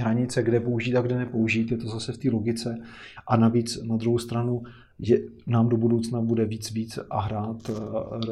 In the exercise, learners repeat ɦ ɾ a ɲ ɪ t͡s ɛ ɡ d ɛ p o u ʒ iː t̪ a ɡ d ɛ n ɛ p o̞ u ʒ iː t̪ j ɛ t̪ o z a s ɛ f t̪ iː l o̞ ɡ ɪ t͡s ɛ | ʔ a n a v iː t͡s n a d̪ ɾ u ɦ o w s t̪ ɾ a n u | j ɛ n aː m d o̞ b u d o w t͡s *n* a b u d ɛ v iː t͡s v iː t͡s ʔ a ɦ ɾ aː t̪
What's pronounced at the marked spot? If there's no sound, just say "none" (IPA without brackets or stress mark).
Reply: n